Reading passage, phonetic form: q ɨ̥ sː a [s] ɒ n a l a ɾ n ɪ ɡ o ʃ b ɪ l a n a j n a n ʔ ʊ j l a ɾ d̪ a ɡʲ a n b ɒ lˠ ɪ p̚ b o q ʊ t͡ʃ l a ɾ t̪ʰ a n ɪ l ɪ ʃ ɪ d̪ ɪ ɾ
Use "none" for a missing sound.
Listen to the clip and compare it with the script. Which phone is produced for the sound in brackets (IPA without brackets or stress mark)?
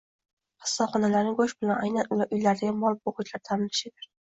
χ